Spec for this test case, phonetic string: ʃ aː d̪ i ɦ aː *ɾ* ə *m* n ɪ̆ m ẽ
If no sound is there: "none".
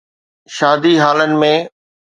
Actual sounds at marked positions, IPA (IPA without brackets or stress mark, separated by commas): l, none